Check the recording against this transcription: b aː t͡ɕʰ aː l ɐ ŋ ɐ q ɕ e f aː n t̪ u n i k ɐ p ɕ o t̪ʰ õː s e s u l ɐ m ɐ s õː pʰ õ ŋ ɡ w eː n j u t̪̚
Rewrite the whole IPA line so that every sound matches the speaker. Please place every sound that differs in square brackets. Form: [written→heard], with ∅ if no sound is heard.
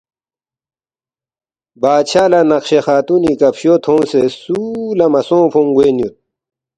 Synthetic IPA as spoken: b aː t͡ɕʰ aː l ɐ [ŋ→n] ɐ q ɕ e [f→x] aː [n→∅] t̪ u n i k ɐ p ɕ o t̪ʰ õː s e s u l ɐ m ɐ s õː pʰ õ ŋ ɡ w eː n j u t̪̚